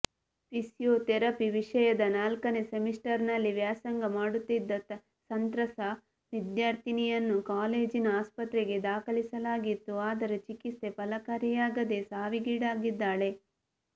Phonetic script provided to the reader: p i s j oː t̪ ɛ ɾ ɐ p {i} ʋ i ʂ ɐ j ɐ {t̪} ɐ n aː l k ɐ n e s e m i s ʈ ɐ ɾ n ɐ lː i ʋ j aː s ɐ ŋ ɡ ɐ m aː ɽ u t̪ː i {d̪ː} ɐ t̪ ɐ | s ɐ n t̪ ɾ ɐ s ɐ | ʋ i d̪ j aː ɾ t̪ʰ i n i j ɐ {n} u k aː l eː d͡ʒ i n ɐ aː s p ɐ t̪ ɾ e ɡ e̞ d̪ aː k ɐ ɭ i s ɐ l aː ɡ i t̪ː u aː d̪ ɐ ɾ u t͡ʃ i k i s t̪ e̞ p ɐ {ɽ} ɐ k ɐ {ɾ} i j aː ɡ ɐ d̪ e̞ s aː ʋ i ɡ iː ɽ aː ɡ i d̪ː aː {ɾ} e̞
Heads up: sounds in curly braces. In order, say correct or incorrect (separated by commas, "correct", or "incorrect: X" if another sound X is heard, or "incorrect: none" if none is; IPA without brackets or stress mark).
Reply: correct, incorrect: d̪, correct, incorrect: nː, incorrect: l, correct, incorrect: ɭ